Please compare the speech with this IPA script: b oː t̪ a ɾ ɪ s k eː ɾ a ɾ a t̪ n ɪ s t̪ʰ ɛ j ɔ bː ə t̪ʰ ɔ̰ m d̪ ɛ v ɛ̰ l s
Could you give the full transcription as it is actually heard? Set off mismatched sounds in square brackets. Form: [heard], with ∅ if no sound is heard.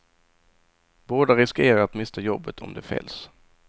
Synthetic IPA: b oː [d̪] a ɾ ɪ s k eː ɾ a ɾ a t̪ [m] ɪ s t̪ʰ [a] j ɔ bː ə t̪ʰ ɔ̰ m d̪ ɛ [f] ɛ̰ l s